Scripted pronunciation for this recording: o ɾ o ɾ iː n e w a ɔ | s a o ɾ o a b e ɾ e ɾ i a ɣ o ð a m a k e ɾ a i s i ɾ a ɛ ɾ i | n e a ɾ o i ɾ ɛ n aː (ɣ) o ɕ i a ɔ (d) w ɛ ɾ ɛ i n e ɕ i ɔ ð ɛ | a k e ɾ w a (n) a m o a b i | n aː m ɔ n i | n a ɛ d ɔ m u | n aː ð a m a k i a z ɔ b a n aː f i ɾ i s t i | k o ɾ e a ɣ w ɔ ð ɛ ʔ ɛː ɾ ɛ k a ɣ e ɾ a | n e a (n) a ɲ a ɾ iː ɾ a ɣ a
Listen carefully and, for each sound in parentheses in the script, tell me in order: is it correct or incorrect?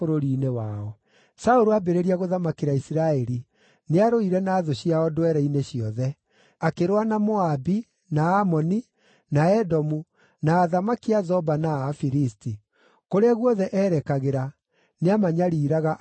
incorrect, correct, correct, incorrect

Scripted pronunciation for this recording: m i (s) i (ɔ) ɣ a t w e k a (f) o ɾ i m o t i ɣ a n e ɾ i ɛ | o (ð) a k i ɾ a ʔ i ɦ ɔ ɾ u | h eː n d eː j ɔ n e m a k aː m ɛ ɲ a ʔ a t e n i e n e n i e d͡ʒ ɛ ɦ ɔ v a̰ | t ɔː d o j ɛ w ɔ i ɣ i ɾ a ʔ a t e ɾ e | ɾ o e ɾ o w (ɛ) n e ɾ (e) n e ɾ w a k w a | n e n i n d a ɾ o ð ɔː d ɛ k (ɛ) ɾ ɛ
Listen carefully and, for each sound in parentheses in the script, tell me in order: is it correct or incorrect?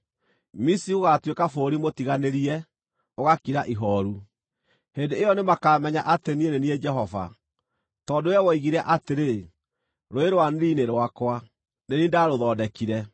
correct, incorrect, correct, incorrect, incorrect, incorrect, incorrect

